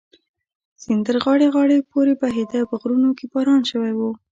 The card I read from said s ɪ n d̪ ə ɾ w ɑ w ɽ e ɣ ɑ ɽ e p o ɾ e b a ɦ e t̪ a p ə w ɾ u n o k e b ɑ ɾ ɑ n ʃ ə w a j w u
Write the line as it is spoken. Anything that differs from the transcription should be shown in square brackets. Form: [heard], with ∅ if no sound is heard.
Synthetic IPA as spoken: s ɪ n d̪ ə ɾ [ɣ] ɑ [∅] ɽ e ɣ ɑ ɽ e p o ɾ e b a ɦ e [d̪] a p ə [ɣ] ɾ u n o k e b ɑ ɾ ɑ n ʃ ə w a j w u